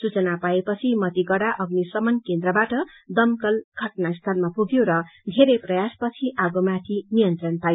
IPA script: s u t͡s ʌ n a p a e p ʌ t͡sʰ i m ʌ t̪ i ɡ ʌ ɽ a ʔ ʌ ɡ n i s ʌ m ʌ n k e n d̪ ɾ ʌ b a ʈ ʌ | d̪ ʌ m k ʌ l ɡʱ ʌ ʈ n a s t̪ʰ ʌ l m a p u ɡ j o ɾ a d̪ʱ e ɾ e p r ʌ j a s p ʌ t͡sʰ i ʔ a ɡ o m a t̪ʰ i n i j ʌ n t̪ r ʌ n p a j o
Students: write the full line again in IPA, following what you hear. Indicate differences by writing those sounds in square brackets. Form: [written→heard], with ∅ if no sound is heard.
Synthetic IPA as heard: s u t͡s ʌ n a p a e p ʌ t͡sʰ i m ʌ t̪ i ɡ ʌ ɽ a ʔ ʌ ɡ n i s ʌ m ʌ n k e n d̪ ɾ ʌ b a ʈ ʌ | d̪ ʌ m k ʌ l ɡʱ ʌ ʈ n a s t̪ʰ ʌ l m a p u ɡ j o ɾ [a→ʌ] d̪ʱ e ɾ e p r ʌ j a s p ʌ t͡sʰ i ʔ a ɡ o m a t̪ʰ i n i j ʌ n t̪ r ʌ n p a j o